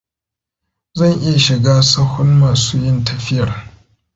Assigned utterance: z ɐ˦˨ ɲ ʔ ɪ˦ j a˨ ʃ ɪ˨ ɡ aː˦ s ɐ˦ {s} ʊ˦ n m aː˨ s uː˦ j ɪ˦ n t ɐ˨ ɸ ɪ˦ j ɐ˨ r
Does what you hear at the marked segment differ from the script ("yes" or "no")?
yes